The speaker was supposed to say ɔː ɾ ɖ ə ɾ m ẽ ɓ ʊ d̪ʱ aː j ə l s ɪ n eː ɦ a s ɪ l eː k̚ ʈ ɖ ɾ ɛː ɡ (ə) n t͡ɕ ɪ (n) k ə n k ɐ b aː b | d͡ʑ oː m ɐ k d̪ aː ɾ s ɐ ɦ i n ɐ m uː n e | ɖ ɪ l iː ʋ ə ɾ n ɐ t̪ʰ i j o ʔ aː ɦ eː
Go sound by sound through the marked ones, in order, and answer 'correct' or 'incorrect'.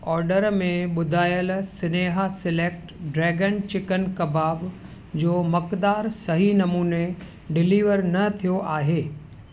correct, incorrect: none

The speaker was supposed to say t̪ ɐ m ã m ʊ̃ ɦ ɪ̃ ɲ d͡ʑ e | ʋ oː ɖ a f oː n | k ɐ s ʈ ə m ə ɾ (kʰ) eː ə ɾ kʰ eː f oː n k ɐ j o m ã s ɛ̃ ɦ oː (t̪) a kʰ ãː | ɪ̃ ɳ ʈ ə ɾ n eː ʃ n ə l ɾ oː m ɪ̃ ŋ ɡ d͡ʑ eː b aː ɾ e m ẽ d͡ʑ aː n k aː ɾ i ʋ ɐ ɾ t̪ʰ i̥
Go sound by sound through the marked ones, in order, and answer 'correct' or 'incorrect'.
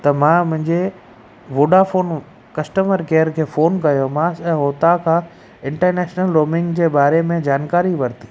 incorrect: k, correct

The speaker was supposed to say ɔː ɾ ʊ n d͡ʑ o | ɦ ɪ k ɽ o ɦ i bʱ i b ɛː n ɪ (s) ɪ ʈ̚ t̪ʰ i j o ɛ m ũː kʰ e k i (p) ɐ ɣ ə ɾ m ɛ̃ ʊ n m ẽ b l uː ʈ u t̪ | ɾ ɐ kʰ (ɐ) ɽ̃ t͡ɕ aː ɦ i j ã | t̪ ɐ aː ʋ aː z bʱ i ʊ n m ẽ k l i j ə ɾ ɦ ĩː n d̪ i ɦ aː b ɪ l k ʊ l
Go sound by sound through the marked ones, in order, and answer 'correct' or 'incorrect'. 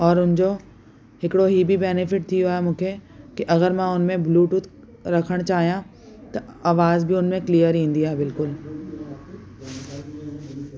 incorrect: f, incorrect: ʔ, incorrect: ə

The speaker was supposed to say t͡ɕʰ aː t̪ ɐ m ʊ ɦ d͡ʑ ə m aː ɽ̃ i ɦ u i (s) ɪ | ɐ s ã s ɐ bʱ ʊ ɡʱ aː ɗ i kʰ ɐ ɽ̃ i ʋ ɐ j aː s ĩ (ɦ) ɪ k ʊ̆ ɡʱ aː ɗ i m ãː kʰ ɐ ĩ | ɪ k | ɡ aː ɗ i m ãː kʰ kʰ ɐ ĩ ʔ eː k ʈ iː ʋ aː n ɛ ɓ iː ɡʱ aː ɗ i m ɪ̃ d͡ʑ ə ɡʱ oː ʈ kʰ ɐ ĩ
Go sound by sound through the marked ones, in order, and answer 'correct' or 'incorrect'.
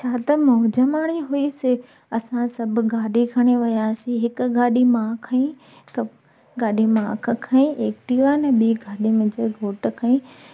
correct, correct

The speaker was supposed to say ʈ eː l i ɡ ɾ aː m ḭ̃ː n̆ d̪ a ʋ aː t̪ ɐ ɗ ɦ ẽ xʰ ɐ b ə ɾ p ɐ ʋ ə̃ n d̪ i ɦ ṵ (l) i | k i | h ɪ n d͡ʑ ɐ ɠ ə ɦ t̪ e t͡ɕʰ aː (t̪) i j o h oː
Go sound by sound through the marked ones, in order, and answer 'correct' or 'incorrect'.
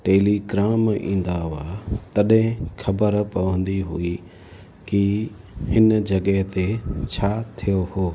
incorrect: none, incorrect: t̪ʰ

